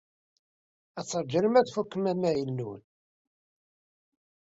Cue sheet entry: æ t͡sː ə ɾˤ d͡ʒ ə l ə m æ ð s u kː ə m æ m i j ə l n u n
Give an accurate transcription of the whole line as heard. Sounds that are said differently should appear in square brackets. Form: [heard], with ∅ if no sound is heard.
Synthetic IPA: æ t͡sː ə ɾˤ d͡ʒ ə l ə m æ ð [f] u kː ə m æ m [æ] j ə l n u n